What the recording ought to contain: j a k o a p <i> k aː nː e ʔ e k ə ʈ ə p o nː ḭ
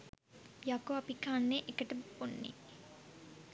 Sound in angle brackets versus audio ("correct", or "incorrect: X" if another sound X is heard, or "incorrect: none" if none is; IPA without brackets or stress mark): correct